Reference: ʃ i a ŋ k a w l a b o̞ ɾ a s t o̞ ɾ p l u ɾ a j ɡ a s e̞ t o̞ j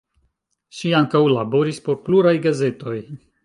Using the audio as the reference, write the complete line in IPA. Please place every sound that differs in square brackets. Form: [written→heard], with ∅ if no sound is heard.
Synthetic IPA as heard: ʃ i a ŋ k a w l a b o̞ ɾ [a→i] s [t→p] o̞ ɾ p l u ɾ a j ɡ a [s→z] e̞ t o̞ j